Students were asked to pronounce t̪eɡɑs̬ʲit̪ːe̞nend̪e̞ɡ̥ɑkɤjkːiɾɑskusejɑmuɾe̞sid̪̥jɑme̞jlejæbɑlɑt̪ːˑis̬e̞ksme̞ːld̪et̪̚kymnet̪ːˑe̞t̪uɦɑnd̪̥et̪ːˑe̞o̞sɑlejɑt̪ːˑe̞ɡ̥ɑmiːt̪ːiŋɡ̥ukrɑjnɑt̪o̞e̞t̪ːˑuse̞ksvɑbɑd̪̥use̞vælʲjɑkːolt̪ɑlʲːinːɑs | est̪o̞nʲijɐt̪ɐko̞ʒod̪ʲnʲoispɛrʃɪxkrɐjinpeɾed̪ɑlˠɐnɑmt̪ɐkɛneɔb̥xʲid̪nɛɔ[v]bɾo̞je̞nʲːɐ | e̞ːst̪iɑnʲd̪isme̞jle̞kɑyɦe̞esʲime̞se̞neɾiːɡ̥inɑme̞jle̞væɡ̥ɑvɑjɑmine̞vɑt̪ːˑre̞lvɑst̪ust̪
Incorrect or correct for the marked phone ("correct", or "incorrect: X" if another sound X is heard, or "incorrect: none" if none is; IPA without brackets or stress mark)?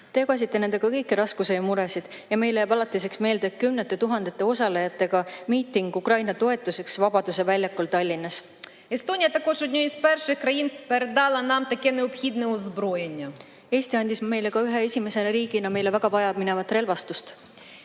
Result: incorrect: z